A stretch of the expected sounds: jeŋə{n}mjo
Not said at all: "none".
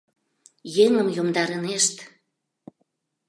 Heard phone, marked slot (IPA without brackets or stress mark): none